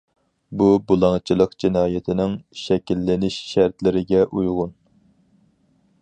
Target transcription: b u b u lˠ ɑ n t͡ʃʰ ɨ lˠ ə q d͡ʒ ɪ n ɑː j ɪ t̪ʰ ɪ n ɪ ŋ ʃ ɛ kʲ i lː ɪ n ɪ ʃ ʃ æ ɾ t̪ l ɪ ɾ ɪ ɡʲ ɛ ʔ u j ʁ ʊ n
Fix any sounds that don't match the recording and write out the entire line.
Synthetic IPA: b u b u lˠ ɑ ŋ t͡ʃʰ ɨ lˠ ə q d͡ʒ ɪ n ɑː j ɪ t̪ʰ ɪ n ɪ ŋ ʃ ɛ kʲ i lː ɪ n ɪ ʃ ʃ æ ɾ t̪ l ɪ ɾ ɪ ɡʲ ɛ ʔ u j ʁ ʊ n